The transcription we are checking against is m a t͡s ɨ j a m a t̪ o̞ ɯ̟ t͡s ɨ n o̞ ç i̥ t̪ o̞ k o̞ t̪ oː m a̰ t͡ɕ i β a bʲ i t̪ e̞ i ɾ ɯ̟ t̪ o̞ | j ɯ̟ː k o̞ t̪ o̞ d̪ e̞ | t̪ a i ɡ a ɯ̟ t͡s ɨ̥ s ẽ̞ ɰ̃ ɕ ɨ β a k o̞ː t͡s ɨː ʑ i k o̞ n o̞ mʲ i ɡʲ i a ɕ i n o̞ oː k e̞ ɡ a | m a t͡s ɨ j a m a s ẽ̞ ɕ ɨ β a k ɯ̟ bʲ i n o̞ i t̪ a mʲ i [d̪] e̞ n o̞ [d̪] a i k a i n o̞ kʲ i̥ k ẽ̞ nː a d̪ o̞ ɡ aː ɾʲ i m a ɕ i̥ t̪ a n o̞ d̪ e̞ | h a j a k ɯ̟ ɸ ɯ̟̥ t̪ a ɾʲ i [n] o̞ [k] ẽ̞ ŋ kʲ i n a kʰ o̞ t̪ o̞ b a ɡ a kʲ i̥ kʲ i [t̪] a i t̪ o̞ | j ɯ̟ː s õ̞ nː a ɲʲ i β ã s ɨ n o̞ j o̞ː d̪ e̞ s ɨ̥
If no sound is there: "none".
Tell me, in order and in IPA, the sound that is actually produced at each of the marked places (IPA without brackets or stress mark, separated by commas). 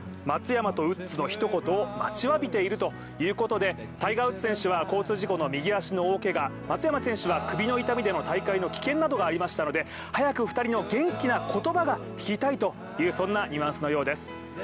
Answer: d̪, t̪, n, ɡ, t̪